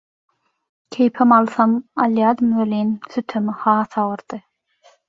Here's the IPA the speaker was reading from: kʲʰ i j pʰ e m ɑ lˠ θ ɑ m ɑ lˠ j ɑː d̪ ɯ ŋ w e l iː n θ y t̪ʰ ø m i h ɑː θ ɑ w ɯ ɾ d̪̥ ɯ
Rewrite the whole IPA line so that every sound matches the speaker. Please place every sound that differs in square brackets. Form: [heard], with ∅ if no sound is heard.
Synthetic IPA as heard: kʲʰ [e] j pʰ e m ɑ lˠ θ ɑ m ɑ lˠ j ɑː d̪ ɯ [m] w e l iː n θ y t̪ʰ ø m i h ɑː θ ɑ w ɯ ɾ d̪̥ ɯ